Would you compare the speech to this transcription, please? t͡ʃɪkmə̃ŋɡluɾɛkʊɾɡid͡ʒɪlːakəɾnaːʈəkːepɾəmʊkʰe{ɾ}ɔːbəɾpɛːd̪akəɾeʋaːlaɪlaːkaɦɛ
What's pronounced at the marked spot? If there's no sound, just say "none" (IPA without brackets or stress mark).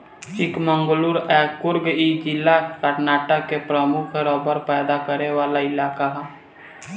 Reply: ɾ